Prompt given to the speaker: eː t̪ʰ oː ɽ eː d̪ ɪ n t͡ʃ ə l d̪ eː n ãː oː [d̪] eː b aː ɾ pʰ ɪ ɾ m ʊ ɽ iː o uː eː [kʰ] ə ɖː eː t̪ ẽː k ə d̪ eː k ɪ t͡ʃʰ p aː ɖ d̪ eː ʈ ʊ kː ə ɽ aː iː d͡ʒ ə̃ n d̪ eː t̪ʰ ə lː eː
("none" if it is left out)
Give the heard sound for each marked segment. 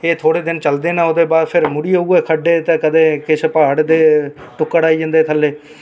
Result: d̪, kʰ

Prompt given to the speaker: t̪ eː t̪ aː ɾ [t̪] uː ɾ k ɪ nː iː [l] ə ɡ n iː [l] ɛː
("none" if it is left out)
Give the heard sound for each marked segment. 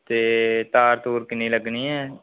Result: t̪, l, none

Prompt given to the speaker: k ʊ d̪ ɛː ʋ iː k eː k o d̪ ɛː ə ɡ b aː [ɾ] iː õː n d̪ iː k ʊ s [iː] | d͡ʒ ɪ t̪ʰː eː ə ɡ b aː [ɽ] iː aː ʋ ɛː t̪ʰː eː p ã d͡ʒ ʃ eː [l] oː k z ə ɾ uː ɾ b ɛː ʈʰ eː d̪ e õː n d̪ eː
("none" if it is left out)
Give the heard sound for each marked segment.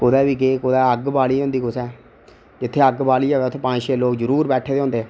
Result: l, ɛː, l, l

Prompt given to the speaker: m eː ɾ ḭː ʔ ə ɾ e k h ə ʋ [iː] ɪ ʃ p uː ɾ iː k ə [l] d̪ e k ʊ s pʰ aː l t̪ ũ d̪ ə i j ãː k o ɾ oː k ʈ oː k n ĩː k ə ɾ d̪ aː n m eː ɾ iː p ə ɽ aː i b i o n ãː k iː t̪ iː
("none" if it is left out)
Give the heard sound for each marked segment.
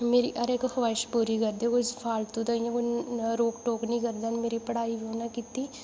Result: aː, ɾ

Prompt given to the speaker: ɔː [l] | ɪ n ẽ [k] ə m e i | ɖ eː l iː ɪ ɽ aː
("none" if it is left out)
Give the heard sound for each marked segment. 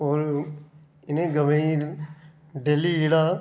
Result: ɾ, ɡ

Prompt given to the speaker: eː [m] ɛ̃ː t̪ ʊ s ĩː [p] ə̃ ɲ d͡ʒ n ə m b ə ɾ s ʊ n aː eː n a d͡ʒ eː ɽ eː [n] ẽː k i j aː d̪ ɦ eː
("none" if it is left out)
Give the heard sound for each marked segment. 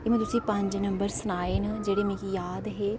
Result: m, p, m

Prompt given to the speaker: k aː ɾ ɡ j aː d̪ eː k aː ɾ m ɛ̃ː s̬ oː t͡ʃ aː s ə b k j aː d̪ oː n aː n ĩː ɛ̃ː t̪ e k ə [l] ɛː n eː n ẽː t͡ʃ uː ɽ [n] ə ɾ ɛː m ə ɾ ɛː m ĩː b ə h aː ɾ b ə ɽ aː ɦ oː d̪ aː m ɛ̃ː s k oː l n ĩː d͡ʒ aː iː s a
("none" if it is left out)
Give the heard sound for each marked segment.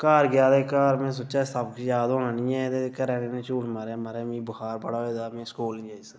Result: ɾ, m

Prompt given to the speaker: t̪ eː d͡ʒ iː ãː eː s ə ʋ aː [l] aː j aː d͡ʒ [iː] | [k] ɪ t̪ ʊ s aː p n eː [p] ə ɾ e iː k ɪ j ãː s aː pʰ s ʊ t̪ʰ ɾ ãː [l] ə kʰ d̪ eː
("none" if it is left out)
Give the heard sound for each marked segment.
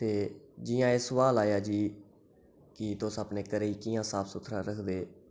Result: l, iː, k, k, ɾ

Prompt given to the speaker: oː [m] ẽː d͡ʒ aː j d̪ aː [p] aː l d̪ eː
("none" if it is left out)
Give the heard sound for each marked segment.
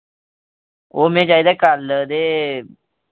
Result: m, k

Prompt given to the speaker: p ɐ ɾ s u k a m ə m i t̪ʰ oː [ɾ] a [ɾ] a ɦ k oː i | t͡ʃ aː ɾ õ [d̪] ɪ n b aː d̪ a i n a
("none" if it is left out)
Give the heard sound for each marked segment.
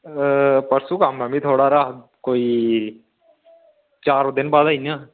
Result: ɽ, ɾ, d̪

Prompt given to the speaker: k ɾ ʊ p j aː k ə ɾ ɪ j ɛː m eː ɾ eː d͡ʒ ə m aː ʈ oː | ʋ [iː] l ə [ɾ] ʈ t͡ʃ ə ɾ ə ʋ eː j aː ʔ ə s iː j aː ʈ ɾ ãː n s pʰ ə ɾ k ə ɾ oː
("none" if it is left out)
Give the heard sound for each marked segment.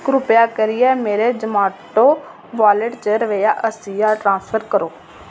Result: aː, none

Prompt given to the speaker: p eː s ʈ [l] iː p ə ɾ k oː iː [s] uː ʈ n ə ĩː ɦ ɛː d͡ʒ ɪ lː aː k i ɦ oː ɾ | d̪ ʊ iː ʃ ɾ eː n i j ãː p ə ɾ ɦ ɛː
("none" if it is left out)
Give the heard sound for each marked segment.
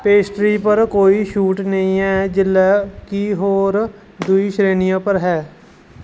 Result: ɾ, ʃ

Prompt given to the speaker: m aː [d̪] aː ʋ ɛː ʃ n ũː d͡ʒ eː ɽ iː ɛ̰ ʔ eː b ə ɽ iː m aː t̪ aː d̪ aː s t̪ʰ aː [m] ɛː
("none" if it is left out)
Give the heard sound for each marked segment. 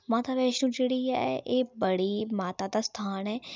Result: t̪, n

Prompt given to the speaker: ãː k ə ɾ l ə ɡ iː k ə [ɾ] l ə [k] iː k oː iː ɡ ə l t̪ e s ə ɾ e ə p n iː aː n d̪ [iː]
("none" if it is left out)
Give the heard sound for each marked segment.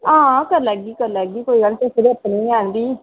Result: ɾ, ɡ, iː

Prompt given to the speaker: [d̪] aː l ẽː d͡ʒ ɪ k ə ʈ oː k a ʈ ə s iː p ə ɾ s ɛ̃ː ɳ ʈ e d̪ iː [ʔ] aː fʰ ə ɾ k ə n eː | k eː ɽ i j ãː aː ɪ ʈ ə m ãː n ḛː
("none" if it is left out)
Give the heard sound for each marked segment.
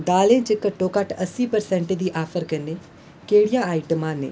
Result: d̪, ʔ

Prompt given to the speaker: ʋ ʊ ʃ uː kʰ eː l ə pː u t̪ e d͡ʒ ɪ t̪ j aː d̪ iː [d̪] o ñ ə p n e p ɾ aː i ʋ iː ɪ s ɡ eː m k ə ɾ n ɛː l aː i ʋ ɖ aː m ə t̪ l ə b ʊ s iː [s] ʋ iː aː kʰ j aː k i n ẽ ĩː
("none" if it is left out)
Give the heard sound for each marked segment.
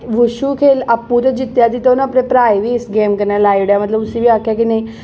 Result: t̪, none

